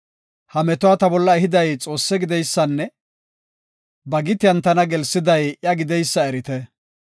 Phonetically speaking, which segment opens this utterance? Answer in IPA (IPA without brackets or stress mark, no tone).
h